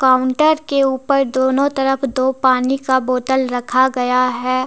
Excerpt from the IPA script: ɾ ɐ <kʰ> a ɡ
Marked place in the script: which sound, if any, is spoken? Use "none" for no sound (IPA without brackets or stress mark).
kʰ